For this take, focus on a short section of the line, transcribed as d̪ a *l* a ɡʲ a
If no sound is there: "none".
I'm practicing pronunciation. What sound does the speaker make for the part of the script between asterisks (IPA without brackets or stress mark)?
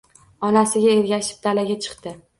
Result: l